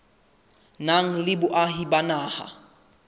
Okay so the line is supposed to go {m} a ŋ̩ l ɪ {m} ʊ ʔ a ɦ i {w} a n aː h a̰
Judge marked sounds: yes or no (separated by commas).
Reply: no, no, no